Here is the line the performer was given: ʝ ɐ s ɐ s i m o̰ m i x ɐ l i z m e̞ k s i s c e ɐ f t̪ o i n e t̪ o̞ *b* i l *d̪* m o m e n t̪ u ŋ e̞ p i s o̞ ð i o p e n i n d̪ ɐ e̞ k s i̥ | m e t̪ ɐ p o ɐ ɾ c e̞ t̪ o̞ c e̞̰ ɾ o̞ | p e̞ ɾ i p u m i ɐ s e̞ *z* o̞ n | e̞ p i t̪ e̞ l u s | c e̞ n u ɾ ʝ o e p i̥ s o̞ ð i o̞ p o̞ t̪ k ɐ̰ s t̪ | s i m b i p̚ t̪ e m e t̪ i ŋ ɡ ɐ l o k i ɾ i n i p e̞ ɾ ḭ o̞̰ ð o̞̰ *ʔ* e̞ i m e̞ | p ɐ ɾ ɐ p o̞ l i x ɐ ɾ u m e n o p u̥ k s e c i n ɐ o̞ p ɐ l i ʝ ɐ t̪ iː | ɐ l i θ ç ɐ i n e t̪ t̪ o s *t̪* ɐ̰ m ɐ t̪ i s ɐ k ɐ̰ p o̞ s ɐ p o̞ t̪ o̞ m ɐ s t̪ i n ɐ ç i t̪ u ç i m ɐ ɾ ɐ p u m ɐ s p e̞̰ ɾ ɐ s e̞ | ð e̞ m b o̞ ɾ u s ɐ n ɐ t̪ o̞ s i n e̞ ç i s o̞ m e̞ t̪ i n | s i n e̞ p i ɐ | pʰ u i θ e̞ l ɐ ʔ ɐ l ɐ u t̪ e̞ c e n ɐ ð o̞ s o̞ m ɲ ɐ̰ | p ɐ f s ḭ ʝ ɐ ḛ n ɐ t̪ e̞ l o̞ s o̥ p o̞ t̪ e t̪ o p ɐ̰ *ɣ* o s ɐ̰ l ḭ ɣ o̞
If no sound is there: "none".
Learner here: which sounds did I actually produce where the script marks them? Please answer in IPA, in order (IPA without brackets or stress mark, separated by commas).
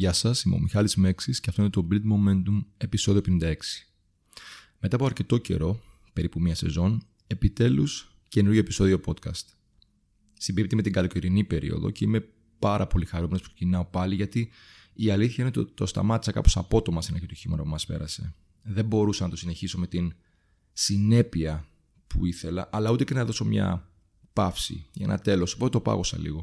b, d̪, z, c, t̪, ɣ